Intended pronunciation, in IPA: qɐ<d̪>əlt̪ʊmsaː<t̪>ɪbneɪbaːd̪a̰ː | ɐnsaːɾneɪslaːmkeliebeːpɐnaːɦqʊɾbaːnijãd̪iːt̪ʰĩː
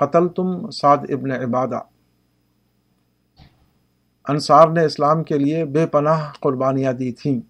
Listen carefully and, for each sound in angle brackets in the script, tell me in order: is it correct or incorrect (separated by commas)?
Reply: incorrect, incorrect